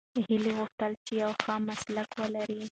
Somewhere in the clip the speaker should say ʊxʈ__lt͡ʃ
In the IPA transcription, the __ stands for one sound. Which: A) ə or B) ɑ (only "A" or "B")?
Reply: A